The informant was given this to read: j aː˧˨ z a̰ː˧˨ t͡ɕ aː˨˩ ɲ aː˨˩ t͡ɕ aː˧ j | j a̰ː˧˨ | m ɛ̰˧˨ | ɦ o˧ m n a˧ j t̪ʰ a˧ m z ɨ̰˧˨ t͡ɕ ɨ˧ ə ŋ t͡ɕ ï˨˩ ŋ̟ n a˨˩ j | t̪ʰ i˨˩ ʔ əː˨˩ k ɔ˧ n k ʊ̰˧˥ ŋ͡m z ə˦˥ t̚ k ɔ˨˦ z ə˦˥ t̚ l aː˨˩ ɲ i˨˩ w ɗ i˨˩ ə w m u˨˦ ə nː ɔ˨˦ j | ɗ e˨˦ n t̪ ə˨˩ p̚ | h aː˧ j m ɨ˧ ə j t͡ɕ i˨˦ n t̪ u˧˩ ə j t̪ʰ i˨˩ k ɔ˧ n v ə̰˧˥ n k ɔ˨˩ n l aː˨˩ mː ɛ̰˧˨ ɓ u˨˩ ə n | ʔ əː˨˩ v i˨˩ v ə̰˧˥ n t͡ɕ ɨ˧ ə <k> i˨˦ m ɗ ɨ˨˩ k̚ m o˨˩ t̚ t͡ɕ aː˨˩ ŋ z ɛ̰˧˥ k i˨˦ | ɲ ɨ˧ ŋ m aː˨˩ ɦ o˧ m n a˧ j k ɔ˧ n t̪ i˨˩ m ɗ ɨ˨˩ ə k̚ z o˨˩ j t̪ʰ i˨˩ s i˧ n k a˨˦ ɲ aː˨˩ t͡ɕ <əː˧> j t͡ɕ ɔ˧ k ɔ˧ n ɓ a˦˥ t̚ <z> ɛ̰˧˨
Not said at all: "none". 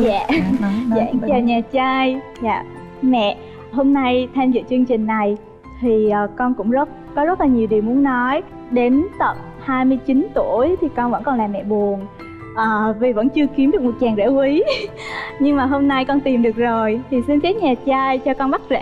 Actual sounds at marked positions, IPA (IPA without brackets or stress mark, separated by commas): k, aː˧, z